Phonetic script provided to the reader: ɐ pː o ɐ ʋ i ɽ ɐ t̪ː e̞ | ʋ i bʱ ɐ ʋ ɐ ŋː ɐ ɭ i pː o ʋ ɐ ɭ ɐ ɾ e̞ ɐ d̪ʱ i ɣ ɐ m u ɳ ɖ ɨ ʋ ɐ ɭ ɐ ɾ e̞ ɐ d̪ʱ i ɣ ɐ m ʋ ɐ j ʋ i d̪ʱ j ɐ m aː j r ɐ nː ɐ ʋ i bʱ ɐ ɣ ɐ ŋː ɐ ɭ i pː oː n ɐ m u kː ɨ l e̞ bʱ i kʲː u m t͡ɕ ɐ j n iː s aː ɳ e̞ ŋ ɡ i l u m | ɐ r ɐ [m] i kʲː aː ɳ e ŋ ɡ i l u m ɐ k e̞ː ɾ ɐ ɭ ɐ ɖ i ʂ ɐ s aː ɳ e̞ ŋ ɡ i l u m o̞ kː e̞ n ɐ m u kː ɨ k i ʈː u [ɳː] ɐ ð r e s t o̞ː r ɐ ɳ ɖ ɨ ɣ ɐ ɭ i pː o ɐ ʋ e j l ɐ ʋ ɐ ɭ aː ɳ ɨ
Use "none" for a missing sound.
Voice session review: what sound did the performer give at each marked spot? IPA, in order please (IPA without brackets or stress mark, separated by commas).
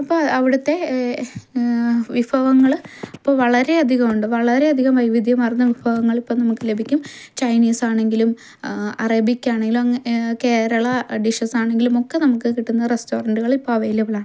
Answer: b, nː